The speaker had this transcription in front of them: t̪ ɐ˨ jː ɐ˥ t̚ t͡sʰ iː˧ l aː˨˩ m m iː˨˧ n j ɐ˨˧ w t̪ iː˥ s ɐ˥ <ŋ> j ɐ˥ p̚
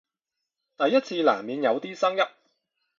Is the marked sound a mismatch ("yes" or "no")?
no